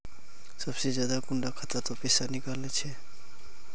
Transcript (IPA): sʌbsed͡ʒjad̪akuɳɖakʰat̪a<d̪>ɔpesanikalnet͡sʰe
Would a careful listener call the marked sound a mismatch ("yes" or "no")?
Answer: yes